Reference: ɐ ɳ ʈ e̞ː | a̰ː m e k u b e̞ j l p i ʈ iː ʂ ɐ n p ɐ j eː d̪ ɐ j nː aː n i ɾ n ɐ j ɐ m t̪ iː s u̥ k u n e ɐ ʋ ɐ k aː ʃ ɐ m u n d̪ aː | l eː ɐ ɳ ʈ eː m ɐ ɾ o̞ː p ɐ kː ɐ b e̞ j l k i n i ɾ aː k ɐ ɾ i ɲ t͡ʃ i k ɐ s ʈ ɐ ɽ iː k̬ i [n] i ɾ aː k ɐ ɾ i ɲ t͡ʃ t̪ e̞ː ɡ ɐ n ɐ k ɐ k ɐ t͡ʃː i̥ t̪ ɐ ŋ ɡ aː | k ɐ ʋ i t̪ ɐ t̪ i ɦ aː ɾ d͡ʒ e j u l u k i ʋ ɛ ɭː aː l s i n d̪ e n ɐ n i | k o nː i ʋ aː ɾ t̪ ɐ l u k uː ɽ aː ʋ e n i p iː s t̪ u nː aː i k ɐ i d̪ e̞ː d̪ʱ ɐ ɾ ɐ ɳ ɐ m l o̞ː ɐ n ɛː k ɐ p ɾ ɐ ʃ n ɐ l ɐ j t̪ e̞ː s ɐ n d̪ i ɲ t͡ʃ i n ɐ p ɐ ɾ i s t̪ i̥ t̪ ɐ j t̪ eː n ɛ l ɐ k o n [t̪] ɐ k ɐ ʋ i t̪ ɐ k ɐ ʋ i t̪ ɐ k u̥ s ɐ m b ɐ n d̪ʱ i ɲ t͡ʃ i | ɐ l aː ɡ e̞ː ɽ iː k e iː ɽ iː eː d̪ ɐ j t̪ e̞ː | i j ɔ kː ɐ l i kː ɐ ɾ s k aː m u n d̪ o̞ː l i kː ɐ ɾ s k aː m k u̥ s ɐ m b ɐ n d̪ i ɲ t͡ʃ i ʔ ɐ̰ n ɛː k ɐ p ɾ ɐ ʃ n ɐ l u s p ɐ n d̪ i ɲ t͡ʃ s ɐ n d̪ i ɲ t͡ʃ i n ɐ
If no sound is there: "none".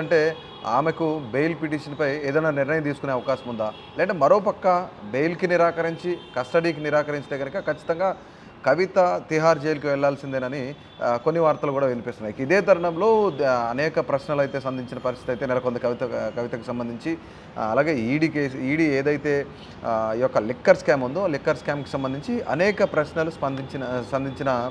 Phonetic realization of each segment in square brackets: n, d̪

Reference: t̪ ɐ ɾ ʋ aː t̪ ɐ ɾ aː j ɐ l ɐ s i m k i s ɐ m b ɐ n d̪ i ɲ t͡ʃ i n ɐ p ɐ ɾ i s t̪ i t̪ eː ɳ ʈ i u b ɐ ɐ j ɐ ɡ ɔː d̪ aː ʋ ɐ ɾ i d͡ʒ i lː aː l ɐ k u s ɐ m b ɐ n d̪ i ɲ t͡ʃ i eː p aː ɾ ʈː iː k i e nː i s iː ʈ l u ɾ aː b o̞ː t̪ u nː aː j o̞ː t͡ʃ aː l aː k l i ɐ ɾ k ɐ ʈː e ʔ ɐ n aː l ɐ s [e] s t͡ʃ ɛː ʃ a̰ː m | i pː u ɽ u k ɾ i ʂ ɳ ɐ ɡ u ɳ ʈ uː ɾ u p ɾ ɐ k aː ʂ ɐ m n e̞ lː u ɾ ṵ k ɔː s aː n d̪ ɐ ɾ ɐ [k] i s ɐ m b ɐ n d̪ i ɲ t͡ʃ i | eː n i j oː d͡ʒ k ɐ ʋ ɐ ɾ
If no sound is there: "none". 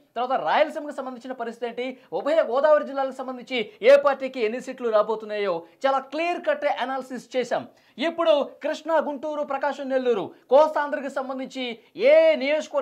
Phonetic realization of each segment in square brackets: i, k

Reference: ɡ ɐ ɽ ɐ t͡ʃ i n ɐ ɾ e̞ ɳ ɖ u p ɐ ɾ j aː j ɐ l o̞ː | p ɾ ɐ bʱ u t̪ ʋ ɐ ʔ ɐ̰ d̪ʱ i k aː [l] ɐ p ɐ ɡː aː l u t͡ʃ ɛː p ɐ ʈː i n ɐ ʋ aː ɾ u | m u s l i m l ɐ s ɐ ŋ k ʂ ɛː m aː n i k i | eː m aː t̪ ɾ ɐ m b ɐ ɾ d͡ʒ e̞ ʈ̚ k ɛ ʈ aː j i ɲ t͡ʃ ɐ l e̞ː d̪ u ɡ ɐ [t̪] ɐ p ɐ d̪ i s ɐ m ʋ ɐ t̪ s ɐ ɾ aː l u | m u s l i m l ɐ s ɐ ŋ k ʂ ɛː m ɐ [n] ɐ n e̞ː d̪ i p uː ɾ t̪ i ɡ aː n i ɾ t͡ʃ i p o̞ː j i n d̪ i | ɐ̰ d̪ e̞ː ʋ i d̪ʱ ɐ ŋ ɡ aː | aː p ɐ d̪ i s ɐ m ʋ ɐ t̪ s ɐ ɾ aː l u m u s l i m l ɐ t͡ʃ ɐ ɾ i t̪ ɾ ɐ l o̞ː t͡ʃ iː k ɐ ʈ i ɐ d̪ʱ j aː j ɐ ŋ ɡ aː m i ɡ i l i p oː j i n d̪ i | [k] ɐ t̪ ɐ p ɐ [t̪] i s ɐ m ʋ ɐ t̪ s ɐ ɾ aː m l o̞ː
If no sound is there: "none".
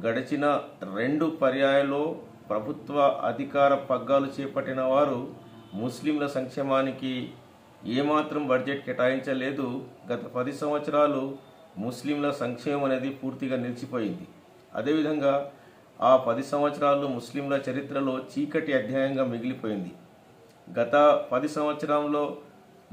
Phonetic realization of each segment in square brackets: ɾ, t̪, m, ɡ, d̪

